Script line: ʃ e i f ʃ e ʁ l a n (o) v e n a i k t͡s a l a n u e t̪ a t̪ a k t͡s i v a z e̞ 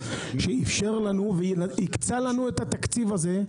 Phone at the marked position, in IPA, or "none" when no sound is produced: u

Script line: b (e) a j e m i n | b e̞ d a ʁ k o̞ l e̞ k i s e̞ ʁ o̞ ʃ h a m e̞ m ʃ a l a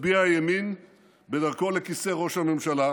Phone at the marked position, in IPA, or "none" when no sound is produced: i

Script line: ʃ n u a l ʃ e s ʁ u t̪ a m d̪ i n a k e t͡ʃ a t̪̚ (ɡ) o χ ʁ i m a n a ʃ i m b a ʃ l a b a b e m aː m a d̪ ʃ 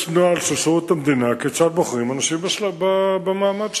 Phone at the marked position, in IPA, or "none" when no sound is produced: b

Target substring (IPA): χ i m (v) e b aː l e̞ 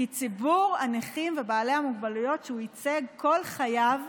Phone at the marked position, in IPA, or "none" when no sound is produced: v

